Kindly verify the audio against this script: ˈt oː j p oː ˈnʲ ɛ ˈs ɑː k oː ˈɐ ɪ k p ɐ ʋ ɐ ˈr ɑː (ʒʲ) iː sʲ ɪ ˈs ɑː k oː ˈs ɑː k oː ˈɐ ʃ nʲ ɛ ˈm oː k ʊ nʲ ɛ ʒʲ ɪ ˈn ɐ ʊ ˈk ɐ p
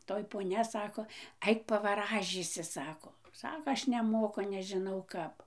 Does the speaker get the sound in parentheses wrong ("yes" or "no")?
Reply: no